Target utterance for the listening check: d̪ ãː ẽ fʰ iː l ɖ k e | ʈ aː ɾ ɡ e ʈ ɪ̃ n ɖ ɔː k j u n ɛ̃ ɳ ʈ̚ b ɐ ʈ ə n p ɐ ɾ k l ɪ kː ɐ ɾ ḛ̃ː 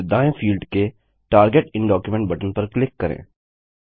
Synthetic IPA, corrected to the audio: d̪ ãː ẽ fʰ iː l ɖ k e | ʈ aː ɾ ɡ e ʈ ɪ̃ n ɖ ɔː k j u m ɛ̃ ɳ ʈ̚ b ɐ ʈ ə n p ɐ ɾ k l ɪ kː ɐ ɾ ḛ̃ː